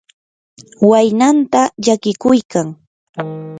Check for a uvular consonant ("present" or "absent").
absent